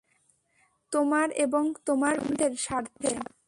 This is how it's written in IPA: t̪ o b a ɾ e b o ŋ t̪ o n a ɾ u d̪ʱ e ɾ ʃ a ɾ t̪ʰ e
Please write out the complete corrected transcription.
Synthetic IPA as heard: t̪ o m a ɾ e b o ŋ t̪ o m a ɾ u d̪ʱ e ɾ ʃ a ɾ t̪ʰ e